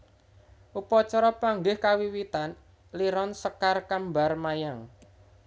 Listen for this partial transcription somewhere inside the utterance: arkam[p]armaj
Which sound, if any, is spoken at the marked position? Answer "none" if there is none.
b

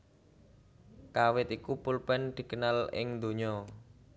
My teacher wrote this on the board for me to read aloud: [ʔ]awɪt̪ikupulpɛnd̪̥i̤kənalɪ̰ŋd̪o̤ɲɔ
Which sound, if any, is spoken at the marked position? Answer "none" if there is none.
k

